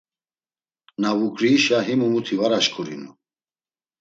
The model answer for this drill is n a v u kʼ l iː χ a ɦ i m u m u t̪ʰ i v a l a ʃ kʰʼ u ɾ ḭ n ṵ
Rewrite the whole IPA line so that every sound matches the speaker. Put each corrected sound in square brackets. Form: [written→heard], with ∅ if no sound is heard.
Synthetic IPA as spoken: n a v u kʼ [l→ɾ] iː [χ→ʃ] a ɦ i m u m u t̪ʰ i v a [l→ɾ] a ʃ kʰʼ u ɾ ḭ n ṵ